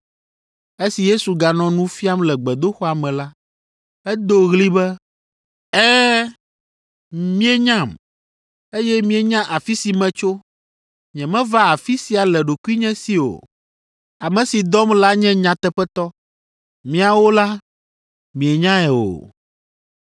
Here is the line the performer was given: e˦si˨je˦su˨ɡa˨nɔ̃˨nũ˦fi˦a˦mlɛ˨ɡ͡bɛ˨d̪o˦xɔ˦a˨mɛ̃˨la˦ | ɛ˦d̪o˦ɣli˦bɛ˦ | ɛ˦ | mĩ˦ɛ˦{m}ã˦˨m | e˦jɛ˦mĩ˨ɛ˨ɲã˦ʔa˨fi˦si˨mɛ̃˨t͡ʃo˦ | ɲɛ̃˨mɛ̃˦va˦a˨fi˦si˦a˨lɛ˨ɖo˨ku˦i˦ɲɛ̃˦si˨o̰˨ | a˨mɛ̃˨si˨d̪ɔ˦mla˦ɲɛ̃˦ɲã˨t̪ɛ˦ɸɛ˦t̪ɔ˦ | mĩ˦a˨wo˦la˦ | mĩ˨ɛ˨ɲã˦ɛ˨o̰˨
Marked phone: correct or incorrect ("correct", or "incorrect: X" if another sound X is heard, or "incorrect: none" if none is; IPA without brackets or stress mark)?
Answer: incorrect: ɲ